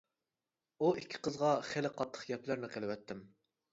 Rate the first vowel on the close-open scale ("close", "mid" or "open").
close